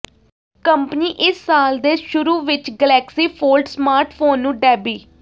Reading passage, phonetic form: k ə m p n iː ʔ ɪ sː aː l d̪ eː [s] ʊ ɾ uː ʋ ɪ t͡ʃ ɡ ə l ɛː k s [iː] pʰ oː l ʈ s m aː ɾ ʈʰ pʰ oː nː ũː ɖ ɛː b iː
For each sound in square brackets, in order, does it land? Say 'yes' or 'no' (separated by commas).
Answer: no, yes